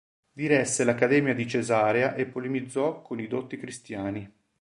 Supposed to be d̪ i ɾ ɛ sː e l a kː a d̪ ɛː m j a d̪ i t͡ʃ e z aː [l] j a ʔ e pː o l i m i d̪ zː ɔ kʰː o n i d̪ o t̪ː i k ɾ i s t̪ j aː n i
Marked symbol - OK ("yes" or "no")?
no